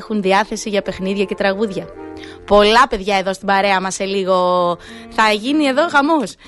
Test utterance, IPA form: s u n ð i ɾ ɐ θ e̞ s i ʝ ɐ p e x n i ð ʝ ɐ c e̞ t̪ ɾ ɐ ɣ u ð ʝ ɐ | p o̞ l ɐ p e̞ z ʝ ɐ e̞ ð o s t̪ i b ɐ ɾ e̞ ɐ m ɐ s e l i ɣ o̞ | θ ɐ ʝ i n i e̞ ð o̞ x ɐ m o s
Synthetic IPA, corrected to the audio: x u n ð i ɐ θ e̞ s i ʝ ɐ p e x n i ð ʝ ɐ c e̞ t̪ ɾ ɐ ɣ u ð ʝ ɐ | p o̞ l ɐ p e̞ ð ʝ ɐ e̞ ð o s t̪ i b ɐ ɾ e̞ ɐ m ɐ s e l i ɣ o̞ | θ ɐ ʝ i n i e̞ ð o̞ x ɐ m o s